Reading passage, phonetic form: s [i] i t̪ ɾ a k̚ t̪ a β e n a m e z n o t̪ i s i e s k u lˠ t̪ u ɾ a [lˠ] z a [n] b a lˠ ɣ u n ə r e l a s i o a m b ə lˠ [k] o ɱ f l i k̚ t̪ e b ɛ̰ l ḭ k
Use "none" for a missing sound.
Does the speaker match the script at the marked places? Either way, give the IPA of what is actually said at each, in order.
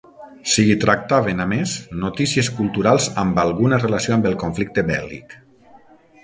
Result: i, lˠ, m, k

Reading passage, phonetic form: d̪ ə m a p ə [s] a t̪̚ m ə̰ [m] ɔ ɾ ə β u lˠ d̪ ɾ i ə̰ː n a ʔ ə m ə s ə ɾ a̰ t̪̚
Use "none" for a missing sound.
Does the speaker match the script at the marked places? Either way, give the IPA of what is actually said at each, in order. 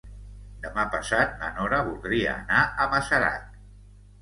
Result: s, n

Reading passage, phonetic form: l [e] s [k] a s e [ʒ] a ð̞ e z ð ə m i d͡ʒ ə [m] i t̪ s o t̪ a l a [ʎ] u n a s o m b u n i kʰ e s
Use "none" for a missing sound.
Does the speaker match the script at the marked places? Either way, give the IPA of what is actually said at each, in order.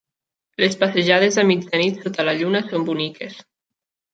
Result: e, p, ʒ, n, ʎ

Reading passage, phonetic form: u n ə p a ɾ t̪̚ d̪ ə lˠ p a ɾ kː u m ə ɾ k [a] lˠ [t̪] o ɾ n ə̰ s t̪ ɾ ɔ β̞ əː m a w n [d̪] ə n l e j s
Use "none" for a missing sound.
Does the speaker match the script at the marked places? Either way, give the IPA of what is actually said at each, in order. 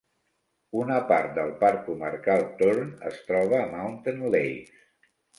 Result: a, t̪, t̪

